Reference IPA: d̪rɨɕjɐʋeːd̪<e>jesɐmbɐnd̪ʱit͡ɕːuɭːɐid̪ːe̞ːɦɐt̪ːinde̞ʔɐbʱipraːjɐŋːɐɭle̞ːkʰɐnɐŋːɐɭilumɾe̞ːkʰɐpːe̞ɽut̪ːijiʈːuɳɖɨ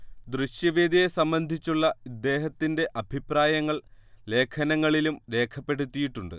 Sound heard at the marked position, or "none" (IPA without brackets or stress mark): i